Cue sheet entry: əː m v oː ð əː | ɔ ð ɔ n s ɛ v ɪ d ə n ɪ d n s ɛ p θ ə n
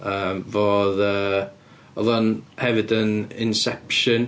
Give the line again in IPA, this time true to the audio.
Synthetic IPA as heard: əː m v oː ð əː | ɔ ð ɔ n h ɛ v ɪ d ə n ɪ n s ɛ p ʃ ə n